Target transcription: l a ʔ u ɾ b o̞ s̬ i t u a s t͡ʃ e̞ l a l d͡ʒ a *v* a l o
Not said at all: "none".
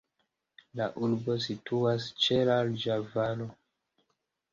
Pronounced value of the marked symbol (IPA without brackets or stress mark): v